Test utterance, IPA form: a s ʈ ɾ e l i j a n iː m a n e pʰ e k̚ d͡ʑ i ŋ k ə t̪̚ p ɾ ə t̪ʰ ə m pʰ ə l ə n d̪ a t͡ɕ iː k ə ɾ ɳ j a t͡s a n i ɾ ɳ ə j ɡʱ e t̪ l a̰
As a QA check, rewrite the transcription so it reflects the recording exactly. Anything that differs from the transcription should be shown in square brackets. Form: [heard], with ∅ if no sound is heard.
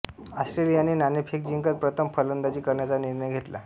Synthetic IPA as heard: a s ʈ ɾ e l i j a n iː [n] a n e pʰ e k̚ d͡ʑ i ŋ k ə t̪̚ p ɾ ə t̪ʰ ə m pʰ ə l ə n d̪ a t͡ɕ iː k ə ɾ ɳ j a t͡s a n i ɾ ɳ ə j ɡʱ e t̪ l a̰